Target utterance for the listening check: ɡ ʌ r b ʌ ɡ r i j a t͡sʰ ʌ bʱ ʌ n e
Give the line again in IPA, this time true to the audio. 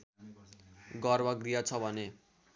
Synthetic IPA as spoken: ɡ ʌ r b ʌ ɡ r i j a t͡sʰ ʌ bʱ ʌ n e